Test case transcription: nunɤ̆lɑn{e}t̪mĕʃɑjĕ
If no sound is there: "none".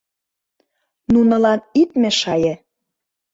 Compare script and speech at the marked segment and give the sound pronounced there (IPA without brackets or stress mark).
i